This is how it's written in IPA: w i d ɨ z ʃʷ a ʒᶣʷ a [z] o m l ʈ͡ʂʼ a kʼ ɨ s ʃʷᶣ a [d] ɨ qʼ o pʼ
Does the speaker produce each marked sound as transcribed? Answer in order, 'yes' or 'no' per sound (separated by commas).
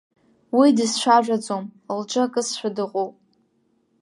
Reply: no, yes